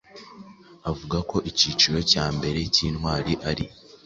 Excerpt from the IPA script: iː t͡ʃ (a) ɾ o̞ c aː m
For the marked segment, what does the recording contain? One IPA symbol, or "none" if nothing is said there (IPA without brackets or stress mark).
i